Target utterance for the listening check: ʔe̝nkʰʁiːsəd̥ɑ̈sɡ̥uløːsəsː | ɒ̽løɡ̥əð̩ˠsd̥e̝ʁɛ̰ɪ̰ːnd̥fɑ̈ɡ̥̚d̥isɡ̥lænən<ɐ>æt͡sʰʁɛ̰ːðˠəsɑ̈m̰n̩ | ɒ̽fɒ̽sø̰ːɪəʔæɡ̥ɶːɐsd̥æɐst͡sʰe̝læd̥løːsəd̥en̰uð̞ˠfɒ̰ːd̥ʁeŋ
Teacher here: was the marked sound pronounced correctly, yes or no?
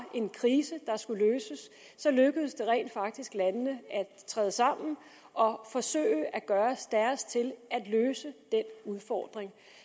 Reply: no